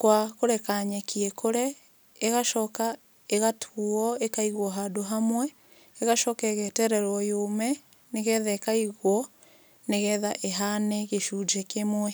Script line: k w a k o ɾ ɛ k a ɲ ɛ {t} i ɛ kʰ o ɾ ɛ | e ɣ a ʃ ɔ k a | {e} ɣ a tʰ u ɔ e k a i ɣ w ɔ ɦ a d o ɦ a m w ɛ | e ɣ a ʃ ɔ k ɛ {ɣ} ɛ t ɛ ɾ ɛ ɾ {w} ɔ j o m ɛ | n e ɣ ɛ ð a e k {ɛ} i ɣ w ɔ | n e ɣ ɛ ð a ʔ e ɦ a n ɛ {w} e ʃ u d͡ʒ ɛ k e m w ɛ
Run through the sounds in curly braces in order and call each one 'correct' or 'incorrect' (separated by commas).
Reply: incorrect, correct, correct, correct, incorrect, incorrect